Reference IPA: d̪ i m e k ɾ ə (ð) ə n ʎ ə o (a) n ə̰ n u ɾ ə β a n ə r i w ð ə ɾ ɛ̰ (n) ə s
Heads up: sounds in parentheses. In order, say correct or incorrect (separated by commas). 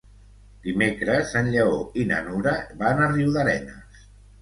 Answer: incorrect, incorrect, correct